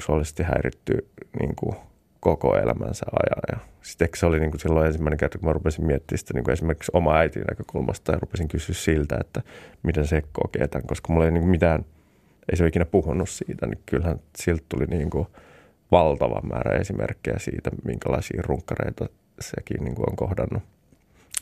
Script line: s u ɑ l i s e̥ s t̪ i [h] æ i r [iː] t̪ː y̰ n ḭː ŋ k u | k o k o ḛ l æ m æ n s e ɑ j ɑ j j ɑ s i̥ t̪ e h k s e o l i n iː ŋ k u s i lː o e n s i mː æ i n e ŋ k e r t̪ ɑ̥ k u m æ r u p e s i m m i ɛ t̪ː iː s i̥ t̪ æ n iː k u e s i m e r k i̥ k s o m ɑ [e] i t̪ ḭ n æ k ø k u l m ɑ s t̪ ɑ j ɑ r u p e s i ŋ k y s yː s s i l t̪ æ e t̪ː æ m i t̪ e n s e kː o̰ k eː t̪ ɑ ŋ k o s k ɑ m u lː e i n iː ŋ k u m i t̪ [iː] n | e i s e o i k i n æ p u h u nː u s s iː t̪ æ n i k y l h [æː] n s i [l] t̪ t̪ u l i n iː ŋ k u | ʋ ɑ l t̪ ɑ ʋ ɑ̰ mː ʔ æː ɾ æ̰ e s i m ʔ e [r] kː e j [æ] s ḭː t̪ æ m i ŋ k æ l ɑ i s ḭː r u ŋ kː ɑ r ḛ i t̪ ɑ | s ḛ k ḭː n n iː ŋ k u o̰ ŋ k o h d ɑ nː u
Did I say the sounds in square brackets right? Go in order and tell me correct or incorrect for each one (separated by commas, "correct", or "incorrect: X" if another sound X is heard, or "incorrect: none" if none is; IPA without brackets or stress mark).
correct, incorrect: i, incorrect: æ, incorrect: æː, incorrect: æ, correct, correct, correct